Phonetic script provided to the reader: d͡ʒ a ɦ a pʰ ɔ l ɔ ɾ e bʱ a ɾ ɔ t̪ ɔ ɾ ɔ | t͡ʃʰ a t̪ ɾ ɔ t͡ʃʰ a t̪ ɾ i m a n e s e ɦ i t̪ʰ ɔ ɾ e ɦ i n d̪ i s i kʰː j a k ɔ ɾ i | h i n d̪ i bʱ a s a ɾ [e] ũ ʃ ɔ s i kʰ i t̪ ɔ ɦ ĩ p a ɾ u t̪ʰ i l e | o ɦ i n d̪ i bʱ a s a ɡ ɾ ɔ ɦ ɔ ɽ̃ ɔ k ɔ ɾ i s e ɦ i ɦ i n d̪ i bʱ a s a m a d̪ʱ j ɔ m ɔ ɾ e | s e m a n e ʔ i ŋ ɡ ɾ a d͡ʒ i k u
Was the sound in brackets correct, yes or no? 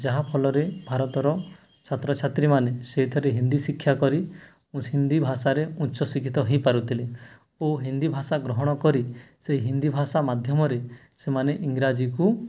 yes